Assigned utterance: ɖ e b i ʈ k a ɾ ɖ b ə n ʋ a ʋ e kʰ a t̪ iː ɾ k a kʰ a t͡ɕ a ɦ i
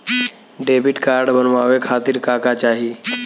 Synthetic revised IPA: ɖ e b i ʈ k a ɾ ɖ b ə n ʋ a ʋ e kʰ a t̪ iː ɾ k a k a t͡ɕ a ɦ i